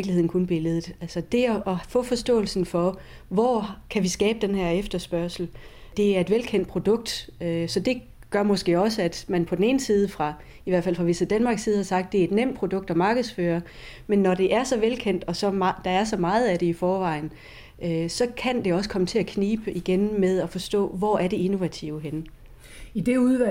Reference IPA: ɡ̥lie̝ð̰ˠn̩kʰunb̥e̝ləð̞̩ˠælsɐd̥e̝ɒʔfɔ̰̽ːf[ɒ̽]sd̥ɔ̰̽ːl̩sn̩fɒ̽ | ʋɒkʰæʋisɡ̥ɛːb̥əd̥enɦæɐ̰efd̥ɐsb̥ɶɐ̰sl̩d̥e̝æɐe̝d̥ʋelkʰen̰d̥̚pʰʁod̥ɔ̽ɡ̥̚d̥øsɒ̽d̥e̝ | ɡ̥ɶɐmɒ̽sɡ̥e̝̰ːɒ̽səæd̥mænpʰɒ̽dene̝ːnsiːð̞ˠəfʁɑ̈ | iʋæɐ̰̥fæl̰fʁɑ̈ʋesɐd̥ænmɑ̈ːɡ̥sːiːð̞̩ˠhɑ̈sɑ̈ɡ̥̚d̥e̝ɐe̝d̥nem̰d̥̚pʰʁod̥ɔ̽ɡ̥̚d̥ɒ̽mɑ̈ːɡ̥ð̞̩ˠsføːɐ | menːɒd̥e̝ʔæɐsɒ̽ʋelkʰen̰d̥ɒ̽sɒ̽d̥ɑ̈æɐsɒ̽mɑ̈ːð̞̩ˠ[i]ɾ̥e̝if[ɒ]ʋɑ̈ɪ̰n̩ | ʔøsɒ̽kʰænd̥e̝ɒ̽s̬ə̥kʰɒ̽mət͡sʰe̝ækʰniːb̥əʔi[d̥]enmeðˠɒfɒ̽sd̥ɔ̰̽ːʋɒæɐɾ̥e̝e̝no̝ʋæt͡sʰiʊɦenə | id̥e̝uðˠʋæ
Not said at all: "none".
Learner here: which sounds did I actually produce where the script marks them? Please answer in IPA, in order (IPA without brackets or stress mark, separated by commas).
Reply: ɒ̽, æ, ɒː, ɡ̥